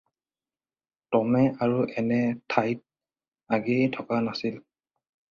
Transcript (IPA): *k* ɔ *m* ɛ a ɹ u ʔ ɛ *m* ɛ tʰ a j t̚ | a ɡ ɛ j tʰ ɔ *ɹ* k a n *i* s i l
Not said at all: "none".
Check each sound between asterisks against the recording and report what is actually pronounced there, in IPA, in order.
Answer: t, m, n, none, a

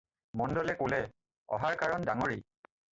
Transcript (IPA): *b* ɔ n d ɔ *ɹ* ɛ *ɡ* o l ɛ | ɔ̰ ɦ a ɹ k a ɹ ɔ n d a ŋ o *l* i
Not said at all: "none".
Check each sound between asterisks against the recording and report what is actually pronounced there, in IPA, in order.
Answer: m, l, k, ɹ

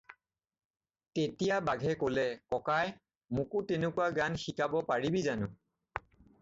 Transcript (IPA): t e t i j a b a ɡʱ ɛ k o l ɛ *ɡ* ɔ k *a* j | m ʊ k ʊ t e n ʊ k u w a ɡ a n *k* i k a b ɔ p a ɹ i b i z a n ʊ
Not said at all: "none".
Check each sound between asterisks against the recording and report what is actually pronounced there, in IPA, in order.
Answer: k, a, x

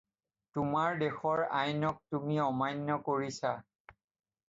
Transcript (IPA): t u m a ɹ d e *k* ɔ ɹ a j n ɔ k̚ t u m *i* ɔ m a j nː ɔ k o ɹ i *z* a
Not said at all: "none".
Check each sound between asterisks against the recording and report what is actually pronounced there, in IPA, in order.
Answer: x, i, s

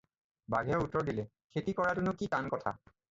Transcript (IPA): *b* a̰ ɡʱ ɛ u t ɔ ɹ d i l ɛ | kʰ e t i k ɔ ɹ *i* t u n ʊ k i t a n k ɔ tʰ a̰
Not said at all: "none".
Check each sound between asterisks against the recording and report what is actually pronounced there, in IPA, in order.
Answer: b, a

